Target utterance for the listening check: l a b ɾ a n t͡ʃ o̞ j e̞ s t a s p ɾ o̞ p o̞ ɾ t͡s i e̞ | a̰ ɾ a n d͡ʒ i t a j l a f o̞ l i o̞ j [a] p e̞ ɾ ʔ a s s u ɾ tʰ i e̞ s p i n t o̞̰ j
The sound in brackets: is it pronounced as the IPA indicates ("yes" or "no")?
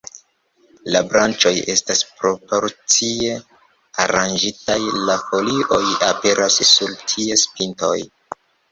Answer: yes